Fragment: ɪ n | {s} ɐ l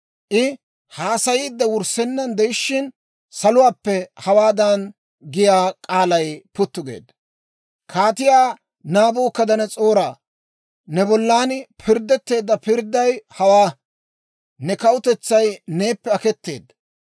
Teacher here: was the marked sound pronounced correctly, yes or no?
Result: yes